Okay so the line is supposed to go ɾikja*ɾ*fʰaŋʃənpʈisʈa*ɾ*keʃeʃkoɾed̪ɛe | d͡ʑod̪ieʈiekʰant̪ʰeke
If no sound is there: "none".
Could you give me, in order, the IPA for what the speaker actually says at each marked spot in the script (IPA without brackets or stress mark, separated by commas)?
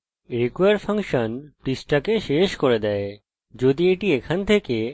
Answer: ɾ, none